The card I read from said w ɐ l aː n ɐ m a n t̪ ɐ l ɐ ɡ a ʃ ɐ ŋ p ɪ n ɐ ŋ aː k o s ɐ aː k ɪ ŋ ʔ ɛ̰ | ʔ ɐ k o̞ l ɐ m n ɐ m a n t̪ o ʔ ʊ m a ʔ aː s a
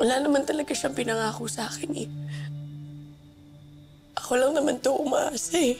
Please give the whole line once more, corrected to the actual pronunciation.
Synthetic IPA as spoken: w ɐ l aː n ɐ m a n t̪ ɐ l ɐ ɡ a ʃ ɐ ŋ p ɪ n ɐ ŋ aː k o s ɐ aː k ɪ n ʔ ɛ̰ | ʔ ɐ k o̞ l ɐ ŋ n ɐ m a n t̪ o ʔ ʊ m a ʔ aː s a